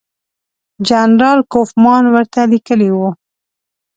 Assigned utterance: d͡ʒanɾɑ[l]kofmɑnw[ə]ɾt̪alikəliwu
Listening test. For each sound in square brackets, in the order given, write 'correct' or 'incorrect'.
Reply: correct, correct

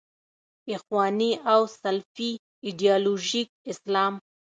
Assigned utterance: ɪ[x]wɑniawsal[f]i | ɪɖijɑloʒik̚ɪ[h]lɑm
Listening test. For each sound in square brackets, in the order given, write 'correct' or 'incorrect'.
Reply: correct, correct, incorrect: s

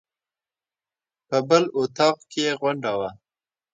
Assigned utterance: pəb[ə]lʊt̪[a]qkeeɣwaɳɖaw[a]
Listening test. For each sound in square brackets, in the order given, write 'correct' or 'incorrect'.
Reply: correct, incorrect: ɑ, correct

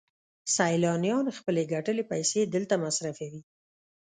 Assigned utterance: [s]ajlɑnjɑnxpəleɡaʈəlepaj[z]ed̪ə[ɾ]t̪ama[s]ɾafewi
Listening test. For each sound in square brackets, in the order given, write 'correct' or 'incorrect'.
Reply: correct, incorrect: s, incorrect: l, correct

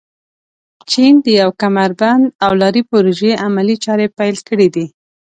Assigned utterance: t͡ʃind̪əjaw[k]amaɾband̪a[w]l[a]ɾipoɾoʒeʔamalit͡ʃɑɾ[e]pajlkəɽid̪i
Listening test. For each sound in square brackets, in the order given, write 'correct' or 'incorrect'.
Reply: correct, correct, incorrect: ɑ, correct

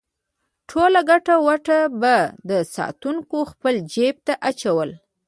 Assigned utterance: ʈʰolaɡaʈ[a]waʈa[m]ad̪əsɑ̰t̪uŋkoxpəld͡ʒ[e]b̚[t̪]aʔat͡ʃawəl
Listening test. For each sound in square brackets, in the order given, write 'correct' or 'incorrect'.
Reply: correct, incorrect: b, correct, correct

